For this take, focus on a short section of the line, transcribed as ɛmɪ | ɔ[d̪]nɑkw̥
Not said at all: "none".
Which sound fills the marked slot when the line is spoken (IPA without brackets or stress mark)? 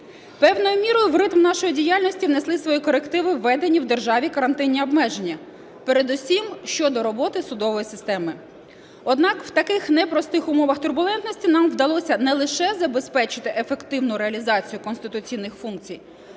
d̪